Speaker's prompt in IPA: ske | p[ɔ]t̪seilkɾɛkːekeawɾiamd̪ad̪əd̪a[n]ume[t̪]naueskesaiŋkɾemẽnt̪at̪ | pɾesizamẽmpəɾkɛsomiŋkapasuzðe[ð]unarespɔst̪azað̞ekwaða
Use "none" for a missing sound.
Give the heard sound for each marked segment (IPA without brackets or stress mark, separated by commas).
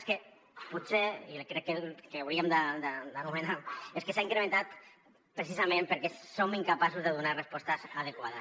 u, n, none, ð